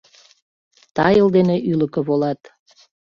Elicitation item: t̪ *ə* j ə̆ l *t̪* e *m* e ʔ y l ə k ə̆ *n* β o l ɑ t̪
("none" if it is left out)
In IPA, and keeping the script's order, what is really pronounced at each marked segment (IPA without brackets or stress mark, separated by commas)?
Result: ɑ, d̪, n, none